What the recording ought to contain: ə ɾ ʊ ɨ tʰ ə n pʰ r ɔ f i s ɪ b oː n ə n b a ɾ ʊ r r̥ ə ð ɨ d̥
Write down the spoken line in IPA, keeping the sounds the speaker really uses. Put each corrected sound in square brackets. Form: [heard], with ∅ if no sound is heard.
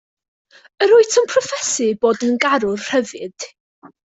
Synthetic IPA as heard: ə ɾ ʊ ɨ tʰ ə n pʰ r ɔ f [ɛ] s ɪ b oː [d] ə n [ɡ] a ɾ ʊ r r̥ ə [v] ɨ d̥